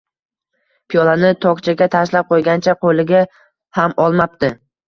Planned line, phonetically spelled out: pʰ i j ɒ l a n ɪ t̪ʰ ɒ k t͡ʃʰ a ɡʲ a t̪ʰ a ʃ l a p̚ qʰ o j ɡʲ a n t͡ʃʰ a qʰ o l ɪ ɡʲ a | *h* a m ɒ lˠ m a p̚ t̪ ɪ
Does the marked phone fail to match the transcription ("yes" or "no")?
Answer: no